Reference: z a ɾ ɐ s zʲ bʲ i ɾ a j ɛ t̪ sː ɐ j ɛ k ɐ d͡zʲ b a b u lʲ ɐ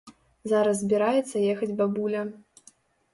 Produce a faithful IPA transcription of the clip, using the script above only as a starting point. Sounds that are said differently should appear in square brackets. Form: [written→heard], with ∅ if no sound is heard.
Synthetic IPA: z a ɾ ɐ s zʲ bʲ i ɾ a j ɛ t̪ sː ɐ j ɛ [k→x] ɐ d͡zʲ b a b u lʲ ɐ

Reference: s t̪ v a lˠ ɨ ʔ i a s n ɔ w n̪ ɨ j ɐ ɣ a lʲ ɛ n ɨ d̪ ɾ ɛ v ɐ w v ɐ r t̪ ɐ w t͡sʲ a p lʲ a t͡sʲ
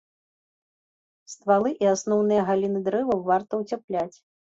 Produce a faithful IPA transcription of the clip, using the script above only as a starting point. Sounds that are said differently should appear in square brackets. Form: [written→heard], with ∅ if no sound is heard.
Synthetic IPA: s t̪ v a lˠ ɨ ʔ i a s n ɔ w n̪ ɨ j ɐ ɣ a lʲ [ɛ→i] n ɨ d̪ ɾ ɛ v ɐ w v [ɐ→a] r t̪ ɐ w t͡sʲ a p lʲ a t͡sʲ

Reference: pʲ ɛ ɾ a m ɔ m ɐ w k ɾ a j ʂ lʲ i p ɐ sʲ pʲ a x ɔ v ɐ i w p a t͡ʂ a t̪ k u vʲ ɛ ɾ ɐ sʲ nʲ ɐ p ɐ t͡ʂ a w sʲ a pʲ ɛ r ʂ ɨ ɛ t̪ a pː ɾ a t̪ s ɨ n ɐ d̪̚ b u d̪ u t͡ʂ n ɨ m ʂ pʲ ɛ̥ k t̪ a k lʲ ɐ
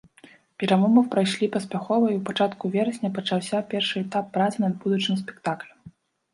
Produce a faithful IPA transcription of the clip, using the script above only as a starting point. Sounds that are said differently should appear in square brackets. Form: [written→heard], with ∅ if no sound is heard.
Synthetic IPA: pʲ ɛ ɾ a m ɔ m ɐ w [k→p] ɾ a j ʂ lʲ i p ɐ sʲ pʲ a x ɔ v ɐ i w p a t͡ʂ a t̪ k u vʲ ɛ ɾ ɐ sʲ nʲ ɐ p ɐ t͡ʂ a w sʲ a pʲ ɛ r ʂ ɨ ɛ t̪ a pː ɾ a t̪ s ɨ n ɐ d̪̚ b u d̪ u t͡ʂ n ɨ m [ʂ→s] pʲ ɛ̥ k t̪ a k lʲ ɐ

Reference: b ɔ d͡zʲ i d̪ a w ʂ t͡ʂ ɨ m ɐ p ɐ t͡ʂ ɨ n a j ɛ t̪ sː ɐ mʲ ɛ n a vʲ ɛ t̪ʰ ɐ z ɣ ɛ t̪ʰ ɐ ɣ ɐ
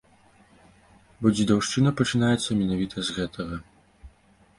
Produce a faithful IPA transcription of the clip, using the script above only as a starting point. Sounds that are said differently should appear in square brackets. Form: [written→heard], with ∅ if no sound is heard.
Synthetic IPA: b ɔ d͡zʲ i d̪ a w ʂ t͡ʂ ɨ [m→n] ɐ p ɐ t͡ʂ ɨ n a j ɛ t̪ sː ɐ mʲ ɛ n a vʲ [ɛ→i] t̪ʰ ɐ z ɣ ɛ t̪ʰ ɐ ɣ ɐ

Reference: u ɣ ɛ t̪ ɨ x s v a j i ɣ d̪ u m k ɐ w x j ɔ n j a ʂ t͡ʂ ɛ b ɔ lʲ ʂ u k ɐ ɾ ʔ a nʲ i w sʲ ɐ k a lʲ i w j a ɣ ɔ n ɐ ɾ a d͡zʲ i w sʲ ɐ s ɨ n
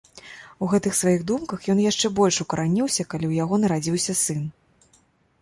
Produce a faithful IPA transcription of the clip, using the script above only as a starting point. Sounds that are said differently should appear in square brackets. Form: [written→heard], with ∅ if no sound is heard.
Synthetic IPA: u ɣ ɛ t̪ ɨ x s v a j i ɣ d̪ u m k ɐ [w→∅] x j ɔ n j a ʂ t͡ʂ ɛ b ɔ lʲ ʂ u k ɐ ɾ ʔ a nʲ i w sʲ ɐ k a lʲ i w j a ɣ ɔ n ɐ ɾ a d͡zʲ i w sʲ ɐ s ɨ n

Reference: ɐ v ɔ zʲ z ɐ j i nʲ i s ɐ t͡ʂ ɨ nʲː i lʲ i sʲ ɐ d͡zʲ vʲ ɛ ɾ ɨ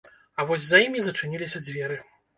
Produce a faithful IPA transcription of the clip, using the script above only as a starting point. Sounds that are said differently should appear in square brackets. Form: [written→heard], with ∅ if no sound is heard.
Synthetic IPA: ɐ v ɔ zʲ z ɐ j i [nʲ→mʲ] i [s→z] ɐ t͡ʂ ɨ [nʲː→nʲ] i lʲ i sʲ ɐ d͡zʲ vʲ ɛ ɾ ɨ

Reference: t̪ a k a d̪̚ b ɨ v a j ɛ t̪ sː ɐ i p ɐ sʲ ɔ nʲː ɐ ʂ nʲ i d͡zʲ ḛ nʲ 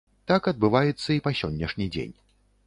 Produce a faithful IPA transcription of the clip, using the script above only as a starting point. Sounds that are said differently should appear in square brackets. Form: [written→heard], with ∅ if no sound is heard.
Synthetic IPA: t̪ a k [a→ɐ] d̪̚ b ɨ v a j ɛ t̪ sː ɐ i p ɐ sʲ ɔ nʲː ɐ ʂ nʲ i d͡zʲ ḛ nʲ

